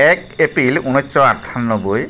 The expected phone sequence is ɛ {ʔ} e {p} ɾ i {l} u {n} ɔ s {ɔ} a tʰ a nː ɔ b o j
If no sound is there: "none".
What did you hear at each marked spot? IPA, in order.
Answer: k, p, l, n, ɔ

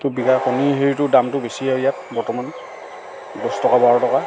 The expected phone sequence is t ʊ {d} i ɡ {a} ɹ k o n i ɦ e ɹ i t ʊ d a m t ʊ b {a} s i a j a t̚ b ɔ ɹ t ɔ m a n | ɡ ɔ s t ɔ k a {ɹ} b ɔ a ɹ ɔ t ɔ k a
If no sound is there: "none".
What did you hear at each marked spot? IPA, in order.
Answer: b, a, e, none

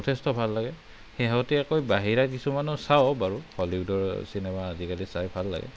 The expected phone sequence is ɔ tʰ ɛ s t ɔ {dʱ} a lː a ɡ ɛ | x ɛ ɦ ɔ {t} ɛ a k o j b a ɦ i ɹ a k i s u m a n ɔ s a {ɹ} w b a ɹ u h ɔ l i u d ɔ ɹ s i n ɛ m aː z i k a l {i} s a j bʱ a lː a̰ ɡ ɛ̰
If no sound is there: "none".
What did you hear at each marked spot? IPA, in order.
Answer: bʱ, t, none, i

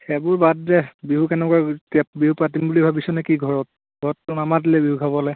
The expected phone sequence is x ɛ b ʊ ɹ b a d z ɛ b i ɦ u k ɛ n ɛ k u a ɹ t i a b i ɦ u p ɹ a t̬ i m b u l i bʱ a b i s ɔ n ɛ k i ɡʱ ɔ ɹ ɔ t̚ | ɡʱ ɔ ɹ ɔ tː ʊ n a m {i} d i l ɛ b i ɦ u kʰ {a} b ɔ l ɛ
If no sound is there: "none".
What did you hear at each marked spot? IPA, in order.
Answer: a, a

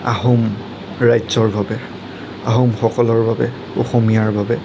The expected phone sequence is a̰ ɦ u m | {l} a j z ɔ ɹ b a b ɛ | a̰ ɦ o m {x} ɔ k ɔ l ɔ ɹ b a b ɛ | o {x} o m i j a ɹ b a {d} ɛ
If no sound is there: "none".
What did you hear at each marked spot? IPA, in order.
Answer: ɹ, x, x, b

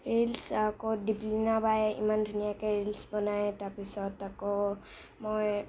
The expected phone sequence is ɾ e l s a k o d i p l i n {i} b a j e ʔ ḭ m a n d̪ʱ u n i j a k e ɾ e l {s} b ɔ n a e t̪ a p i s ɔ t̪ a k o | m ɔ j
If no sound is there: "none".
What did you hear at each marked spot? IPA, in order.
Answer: a, s

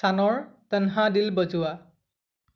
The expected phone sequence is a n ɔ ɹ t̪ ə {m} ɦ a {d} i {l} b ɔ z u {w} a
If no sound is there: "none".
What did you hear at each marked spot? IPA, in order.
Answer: n, d, l, w

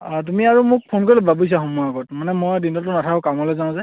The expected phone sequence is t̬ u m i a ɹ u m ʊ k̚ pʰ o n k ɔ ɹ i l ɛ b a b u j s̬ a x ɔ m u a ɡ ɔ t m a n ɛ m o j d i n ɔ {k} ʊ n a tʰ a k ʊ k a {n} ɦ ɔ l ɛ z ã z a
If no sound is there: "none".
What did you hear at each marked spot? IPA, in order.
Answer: t, m

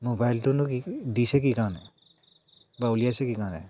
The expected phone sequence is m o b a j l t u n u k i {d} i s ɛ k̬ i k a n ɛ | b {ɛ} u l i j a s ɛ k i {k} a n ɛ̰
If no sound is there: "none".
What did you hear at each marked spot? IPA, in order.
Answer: d, a, k

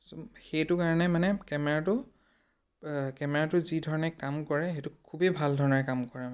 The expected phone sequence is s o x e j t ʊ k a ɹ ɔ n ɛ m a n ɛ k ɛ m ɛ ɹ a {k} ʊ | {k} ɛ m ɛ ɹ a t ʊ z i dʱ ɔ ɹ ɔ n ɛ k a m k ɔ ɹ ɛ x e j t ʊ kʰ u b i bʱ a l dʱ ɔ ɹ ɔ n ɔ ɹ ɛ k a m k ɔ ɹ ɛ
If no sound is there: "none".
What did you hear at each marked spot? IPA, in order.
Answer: t, k

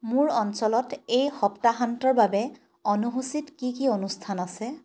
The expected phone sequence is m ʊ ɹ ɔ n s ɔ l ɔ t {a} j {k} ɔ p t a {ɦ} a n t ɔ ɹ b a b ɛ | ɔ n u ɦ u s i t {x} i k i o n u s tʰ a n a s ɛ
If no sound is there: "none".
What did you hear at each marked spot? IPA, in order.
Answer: e, x, ɦ, k

